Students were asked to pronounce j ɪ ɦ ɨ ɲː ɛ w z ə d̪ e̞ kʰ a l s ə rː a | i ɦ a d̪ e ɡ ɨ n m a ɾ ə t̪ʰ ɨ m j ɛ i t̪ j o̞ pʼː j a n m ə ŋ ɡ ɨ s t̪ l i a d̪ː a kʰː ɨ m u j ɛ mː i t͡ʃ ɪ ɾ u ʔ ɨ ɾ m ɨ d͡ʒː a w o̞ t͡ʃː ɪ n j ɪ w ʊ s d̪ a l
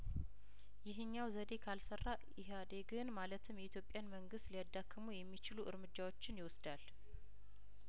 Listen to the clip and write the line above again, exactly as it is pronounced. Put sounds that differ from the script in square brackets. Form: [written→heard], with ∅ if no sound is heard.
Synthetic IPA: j ɪ ɦ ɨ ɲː [ɛ→a] w z ə d̪ e̞ kʰ a l s ə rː a | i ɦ a d̪ e ɡ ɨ n m a [ɾ→l] ə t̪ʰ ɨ m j ɛ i t̪ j o̞ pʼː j a n m ə ŋ ɡ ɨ s t̪ l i a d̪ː a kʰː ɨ m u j ɛ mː i t͡ʃ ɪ [ɾ→l] u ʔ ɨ ɾ m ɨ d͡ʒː a w o̞ t͡ʃː ɪ n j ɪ w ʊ s d̪ a l